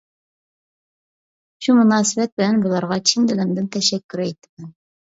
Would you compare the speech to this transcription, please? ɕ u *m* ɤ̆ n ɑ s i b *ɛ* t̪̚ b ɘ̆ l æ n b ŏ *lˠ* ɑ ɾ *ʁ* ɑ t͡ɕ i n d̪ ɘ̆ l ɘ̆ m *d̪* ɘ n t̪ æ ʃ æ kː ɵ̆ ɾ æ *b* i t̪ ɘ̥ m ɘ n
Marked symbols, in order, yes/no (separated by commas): yes, no, yes, yes, yes, no